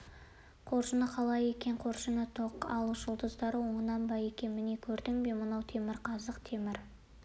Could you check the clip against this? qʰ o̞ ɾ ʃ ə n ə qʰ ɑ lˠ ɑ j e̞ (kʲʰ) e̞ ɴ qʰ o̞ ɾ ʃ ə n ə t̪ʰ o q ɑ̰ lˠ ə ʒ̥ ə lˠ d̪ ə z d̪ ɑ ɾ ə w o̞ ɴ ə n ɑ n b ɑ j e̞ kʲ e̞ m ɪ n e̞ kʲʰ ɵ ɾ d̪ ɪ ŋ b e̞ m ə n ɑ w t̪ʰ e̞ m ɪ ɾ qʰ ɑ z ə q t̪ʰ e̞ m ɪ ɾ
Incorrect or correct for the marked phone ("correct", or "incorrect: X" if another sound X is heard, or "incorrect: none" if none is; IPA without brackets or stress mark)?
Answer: incorrect: kʲ